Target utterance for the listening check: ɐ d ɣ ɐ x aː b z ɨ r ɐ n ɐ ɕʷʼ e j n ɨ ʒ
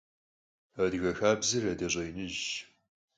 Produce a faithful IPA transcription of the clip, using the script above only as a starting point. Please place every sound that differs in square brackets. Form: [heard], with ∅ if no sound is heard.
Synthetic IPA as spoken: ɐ d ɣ ɐ x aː b z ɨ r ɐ [d] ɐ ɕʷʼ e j n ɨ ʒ